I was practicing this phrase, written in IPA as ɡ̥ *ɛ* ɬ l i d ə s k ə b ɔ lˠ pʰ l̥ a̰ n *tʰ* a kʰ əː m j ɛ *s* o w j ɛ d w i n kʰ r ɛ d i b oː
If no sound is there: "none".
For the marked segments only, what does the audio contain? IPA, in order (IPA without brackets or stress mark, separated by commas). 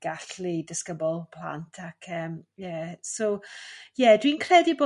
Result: a, tʰ, s